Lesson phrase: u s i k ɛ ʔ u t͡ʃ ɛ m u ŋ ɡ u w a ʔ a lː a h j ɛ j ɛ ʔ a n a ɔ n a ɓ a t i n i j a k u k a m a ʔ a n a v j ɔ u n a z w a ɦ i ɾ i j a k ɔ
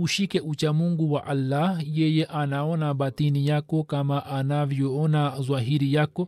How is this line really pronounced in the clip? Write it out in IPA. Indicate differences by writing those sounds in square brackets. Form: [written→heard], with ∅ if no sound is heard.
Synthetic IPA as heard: u [s→ʃ] i k ɛ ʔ u t͡ʃ [ɛ→a] m u ŋ ɡ u w a ʔ a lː a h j ɛ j ɛ ʔ a n a ɔ n a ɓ a t i n i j a k [u→ɔ] k a m a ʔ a n a v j ɔ [u→ɔ] n a z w a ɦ i ɾ i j a k ɔ